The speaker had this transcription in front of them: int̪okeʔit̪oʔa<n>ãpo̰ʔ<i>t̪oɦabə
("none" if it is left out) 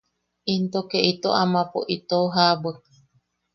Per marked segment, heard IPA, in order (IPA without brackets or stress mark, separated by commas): m, i